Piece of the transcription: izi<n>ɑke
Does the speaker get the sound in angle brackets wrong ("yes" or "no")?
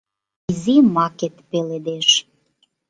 yes